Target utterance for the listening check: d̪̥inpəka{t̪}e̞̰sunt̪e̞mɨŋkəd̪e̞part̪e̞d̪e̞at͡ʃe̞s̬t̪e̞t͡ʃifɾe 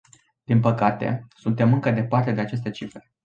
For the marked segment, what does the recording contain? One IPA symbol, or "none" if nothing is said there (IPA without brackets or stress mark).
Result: t̪